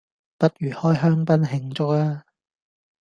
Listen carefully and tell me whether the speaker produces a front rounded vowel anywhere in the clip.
yes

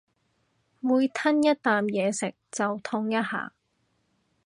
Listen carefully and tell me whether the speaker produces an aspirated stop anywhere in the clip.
yes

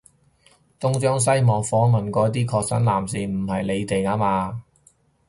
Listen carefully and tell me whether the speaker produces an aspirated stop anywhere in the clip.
yes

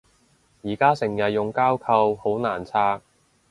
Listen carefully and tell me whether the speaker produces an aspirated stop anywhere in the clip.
yes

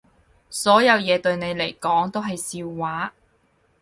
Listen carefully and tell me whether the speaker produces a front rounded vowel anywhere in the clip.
no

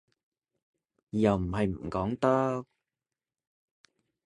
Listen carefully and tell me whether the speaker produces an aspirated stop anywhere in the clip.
no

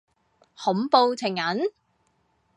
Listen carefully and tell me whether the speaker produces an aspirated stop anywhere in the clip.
yes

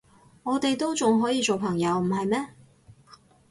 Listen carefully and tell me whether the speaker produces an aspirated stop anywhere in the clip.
yes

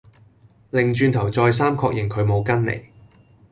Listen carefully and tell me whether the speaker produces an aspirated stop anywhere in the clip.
yes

